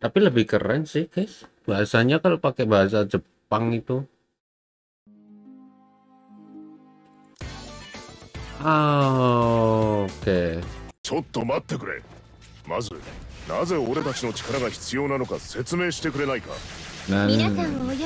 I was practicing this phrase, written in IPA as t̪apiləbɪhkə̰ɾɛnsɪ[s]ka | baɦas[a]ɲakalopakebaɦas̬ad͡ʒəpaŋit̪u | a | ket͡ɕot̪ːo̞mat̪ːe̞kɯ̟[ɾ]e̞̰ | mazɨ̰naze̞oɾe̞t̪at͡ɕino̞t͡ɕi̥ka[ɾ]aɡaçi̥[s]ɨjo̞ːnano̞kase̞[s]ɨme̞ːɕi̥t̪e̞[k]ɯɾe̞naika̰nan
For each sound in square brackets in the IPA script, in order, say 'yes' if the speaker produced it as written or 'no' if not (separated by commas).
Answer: no, yes, yes, yes, no, no, yes